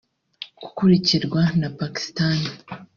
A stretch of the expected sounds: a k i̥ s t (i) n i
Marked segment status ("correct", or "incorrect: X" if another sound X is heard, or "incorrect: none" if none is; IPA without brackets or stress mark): incorrect: a